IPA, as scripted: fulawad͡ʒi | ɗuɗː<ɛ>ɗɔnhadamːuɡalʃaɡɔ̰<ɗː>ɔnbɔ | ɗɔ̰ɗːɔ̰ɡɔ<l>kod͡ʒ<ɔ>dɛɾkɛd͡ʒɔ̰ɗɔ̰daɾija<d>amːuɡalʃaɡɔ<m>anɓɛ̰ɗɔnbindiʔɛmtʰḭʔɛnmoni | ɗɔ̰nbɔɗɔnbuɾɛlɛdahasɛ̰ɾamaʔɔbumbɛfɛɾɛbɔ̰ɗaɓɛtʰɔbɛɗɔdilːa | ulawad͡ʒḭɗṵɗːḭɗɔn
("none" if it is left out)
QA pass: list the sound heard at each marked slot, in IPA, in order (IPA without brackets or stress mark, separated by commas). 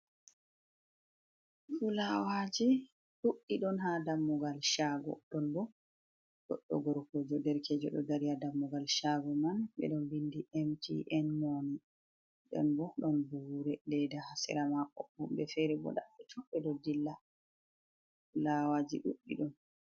i, ɗ, ɾ, ɔ, d, m